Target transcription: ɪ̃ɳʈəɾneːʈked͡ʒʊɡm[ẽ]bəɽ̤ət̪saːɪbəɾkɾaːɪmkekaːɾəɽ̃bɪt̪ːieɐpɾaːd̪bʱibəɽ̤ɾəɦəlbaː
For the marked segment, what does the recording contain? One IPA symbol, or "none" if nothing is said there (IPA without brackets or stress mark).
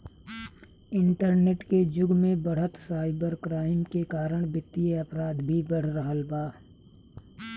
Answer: ẽ